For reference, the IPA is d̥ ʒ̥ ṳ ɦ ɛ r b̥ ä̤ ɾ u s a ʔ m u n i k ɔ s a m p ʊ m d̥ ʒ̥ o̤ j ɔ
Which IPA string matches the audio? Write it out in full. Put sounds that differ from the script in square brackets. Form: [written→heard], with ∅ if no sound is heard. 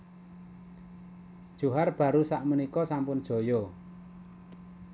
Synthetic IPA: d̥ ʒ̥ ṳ ɦ [ɛ→a] r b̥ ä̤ ɾ u s a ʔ m u n i k ɔ s a m p ʊ [m→n] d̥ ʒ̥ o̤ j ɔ